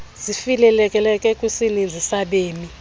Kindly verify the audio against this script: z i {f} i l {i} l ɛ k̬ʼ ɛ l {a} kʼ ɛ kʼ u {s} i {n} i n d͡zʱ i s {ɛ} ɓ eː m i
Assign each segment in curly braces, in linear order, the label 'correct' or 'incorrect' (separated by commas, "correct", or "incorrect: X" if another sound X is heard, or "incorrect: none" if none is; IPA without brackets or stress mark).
correct, incorrect: ɛ, incorrect: ɛ, correct, correct, incorrect: a